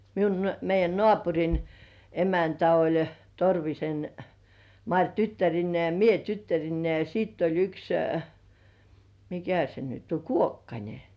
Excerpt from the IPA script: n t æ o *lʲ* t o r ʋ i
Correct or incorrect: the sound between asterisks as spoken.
correct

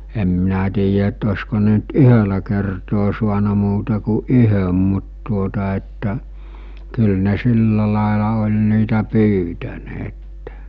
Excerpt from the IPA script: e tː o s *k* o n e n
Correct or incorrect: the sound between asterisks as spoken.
correct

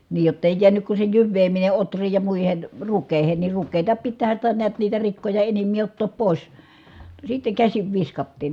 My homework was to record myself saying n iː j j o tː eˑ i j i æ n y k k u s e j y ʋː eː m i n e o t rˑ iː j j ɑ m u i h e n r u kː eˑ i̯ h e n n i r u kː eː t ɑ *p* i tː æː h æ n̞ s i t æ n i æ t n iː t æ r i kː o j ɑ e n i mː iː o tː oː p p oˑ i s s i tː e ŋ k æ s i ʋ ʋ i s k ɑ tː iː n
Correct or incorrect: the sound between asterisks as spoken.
correct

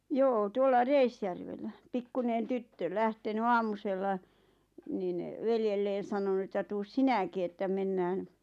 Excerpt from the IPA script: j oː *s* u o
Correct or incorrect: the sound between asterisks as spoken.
incorrect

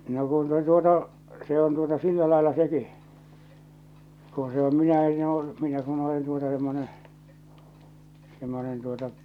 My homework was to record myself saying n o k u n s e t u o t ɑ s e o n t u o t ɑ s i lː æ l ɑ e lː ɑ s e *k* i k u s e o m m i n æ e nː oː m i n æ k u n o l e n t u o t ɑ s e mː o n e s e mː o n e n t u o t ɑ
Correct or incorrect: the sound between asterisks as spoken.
correct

